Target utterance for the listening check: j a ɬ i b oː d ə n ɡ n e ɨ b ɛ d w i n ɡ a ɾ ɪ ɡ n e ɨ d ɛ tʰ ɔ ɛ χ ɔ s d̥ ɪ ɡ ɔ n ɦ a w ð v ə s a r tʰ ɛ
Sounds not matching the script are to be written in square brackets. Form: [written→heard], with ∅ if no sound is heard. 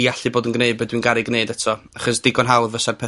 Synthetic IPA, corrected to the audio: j a ɬ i b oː d ə n ɡ n e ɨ b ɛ d w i n ɡ a ɾ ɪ ɡ n e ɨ d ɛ tʰ ɔ [ɛ→a] χ ɔ s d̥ ɪ ɡ ɔ n ɦ a w ð v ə s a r [tʰ→pʰ] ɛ